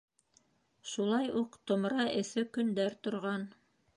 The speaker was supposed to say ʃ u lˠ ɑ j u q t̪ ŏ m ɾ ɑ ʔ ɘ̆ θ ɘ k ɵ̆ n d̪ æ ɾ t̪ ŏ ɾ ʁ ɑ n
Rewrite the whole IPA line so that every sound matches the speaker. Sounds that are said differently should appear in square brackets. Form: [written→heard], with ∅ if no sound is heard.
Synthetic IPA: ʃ u lˠ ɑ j u q t̪ ŏ m ɾ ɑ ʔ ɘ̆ θ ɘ k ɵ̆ n d̪ æ ɾ t̪ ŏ ɾ ʁ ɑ n